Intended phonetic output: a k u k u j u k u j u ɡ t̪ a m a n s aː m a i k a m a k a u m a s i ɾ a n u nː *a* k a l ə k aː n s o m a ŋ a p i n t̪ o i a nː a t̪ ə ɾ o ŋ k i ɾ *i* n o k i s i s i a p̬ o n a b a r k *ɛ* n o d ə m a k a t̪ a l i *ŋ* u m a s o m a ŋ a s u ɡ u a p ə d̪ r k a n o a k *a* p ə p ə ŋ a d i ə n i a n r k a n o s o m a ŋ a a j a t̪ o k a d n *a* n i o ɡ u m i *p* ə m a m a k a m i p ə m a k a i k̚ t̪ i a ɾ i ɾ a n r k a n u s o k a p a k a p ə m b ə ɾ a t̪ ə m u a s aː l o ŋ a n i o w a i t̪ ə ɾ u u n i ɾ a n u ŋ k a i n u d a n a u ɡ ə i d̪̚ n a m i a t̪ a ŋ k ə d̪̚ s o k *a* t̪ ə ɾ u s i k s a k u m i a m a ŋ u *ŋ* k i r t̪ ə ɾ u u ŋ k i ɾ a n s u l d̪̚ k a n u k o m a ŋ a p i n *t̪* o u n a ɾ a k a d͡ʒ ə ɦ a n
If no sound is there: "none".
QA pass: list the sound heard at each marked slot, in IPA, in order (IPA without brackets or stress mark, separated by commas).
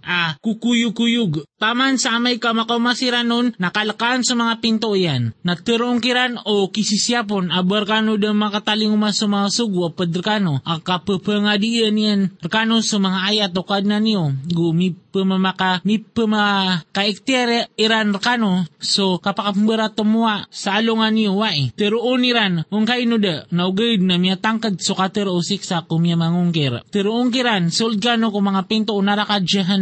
a, a, a, ŋ, a, a, p, a, ŋ, t̪